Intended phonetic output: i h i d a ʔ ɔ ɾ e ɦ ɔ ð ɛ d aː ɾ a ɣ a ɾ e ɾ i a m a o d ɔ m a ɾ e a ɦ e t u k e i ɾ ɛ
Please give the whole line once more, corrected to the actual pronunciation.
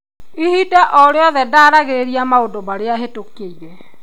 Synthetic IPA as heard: i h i d a ʔ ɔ ɾ e ɔ ð ɛ d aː ɾ a ɣ e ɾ e ɾ i a m a o d o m a ɾ e a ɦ e t o k e i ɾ ɛ